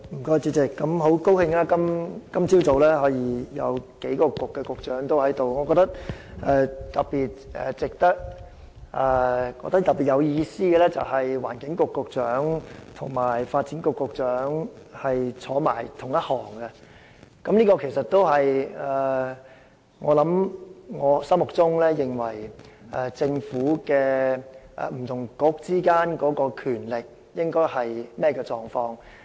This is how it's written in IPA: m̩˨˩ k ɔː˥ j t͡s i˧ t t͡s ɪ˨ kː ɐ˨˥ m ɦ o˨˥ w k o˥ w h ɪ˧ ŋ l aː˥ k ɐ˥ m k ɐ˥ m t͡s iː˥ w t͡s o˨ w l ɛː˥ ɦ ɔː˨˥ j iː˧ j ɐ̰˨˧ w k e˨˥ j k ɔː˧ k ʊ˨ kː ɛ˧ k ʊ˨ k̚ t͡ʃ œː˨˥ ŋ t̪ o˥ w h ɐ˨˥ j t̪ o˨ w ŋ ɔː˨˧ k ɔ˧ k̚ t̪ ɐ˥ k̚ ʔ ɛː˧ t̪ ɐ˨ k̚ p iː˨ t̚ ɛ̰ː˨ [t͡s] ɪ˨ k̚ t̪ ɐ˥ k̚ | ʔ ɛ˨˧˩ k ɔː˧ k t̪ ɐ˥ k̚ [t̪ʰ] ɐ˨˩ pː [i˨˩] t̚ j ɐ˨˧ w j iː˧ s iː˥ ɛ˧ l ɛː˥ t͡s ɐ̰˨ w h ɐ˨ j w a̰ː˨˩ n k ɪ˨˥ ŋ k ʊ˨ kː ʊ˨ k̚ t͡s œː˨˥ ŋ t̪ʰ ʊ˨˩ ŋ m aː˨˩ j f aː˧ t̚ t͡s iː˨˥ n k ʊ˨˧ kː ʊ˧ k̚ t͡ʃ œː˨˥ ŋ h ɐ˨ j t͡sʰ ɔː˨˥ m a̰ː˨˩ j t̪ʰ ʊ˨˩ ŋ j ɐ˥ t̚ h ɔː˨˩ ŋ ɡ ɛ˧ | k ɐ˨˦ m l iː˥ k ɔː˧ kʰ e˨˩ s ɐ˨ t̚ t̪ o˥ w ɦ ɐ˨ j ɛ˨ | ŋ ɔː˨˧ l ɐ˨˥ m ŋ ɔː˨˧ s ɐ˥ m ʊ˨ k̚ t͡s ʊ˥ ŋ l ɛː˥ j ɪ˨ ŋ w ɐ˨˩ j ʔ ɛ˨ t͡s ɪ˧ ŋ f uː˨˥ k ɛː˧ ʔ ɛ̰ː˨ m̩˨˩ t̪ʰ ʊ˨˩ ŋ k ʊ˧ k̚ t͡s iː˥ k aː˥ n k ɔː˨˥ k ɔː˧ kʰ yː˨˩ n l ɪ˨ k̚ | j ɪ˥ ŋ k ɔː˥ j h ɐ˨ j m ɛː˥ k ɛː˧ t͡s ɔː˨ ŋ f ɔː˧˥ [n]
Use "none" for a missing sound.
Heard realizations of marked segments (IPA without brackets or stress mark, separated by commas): t͡s, t̪, i˨˩, ŋ